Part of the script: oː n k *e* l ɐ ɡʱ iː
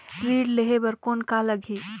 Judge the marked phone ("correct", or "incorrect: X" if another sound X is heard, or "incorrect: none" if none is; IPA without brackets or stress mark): incorrect: a